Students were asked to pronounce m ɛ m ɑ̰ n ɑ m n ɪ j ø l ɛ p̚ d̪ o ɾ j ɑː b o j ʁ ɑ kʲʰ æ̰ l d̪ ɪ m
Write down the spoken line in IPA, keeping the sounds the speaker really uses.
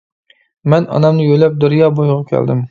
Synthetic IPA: m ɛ n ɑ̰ n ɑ m n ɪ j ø l ɛ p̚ d̪ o ɾ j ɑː b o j ʁ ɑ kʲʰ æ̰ l d̪ ɪ m